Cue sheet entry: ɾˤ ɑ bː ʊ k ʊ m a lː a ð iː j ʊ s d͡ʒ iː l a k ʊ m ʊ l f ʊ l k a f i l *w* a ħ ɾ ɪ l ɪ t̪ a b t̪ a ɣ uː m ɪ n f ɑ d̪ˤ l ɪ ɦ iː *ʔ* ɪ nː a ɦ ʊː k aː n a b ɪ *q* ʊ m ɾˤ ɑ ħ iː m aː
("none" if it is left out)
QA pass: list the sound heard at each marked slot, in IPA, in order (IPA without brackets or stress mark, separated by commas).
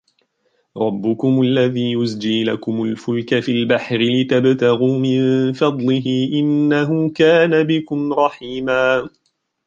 b, ʔ, k